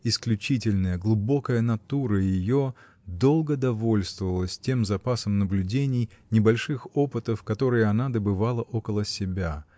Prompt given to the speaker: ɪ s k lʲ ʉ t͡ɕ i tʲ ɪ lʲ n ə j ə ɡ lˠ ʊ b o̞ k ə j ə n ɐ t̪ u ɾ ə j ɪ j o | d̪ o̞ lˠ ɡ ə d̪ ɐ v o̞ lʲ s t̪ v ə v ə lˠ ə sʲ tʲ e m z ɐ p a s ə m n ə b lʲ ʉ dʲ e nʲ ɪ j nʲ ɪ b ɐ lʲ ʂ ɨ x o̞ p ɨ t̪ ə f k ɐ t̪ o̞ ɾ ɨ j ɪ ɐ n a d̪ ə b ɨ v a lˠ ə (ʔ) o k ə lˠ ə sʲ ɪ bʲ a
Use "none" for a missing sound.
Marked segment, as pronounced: ʔ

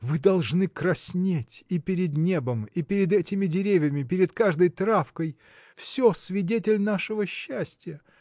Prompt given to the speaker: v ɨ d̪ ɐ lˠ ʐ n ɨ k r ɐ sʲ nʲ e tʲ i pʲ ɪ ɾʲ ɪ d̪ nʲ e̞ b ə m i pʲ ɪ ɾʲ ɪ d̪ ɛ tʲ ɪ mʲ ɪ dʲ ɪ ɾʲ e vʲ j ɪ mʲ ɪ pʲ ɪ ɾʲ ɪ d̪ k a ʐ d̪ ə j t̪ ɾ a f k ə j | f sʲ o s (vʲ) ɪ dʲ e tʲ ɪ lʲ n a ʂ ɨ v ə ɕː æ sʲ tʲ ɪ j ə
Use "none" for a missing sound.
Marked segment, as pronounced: vʲ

